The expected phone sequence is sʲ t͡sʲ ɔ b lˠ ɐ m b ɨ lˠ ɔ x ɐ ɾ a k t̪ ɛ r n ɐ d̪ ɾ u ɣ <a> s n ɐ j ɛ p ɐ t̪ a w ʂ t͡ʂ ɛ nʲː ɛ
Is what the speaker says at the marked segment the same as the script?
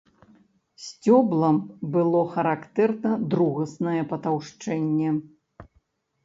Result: no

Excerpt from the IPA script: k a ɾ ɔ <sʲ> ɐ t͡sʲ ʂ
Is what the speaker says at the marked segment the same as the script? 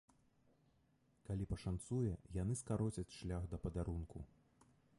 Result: no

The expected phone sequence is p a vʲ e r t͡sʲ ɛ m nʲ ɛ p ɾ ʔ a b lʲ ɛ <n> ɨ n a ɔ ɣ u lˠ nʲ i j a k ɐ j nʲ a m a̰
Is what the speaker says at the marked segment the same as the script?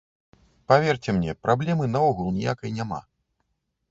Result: no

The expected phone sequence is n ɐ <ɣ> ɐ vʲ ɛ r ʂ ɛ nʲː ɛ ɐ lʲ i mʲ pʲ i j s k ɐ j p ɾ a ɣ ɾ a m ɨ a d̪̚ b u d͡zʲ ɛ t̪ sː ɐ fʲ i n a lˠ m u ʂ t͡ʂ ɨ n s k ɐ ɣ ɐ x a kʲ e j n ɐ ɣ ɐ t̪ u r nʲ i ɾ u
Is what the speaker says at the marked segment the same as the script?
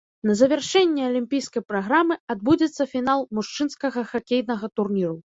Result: no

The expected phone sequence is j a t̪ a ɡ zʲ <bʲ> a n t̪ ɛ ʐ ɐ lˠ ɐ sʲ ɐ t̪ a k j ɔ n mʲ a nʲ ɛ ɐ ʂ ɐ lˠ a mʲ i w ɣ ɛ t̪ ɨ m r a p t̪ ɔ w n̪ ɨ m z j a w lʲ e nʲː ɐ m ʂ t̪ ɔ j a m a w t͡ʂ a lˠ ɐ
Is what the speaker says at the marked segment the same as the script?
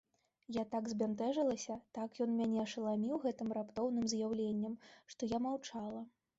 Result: yes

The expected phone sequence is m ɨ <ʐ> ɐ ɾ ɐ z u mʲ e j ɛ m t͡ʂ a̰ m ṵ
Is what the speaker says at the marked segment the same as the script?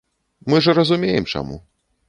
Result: yes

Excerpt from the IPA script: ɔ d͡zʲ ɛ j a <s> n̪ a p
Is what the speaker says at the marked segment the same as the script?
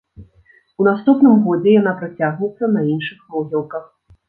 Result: no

